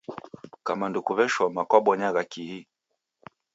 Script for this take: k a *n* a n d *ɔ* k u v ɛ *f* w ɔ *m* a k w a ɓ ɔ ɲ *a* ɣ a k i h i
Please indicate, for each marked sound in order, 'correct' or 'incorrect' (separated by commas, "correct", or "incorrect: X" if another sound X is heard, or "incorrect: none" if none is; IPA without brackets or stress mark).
incorrect: m, incorrect: u, incorrect: ʃ, correct, correct